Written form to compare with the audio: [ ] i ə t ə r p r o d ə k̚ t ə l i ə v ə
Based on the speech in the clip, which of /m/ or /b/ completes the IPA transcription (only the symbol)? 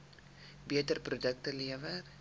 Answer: b